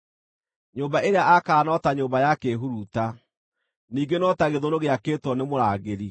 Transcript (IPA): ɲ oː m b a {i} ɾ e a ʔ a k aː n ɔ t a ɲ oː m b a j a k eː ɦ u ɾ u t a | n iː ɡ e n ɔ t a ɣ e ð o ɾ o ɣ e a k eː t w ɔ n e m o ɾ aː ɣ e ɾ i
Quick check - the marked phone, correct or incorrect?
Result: incorrect